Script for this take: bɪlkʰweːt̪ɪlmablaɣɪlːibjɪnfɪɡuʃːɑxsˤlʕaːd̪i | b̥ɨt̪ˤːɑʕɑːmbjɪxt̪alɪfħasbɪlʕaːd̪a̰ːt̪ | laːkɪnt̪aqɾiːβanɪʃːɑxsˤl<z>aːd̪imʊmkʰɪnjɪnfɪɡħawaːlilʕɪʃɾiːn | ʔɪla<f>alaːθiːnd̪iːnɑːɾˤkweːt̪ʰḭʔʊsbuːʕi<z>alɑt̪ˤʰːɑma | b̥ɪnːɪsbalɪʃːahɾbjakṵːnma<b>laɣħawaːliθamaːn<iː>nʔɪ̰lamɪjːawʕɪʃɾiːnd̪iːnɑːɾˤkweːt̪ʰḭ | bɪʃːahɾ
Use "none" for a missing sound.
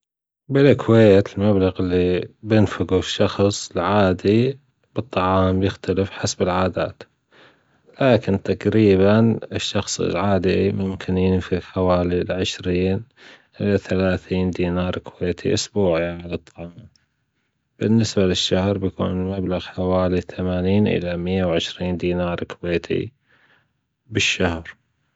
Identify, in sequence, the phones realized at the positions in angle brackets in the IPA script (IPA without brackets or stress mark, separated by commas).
ʕ, θ, ʕ, b, iː